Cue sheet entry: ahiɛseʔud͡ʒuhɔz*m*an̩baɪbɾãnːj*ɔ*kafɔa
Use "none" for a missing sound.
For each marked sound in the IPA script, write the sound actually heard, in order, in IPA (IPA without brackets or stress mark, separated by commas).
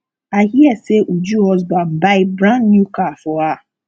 b, u